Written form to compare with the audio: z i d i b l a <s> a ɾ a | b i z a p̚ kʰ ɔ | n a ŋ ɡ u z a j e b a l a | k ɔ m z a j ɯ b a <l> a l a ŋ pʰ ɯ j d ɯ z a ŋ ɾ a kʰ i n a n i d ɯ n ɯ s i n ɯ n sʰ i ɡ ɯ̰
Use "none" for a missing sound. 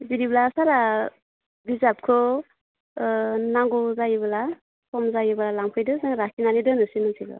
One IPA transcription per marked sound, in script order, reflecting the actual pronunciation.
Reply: s, l

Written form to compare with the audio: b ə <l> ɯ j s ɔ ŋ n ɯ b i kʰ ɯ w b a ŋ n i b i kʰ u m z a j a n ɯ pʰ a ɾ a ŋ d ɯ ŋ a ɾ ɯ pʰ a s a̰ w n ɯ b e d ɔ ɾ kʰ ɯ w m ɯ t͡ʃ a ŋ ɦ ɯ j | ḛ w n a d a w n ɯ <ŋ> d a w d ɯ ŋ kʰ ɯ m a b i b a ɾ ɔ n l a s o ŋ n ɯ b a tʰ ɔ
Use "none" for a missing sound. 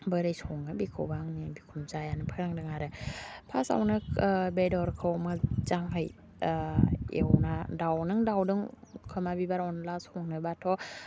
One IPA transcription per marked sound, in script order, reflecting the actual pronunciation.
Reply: ɾ, ŋ

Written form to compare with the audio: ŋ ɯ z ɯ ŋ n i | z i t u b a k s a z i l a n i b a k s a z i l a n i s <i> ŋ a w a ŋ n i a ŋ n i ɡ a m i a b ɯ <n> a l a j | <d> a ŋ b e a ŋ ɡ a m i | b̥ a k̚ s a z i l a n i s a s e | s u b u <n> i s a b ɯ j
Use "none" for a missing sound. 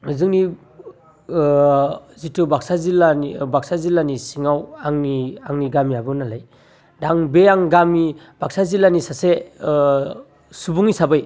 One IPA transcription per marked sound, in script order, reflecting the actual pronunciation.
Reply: i, n, d, ŋ

